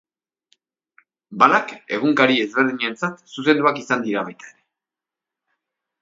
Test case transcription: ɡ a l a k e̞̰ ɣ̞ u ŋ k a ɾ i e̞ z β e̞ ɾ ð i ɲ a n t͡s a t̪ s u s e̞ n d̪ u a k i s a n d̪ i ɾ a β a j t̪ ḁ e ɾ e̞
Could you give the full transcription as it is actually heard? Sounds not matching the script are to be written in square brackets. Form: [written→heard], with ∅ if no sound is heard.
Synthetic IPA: [ɡ→b] a l a k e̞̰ ɣ̞ u ŋ k a ɾ i e̞ z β e̞ ɾ ð i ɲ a n t͡s a t̪ s u s e̞ n d̪ u a k i s a n d̪ i ɾ a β a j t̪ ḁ e ɾ e̞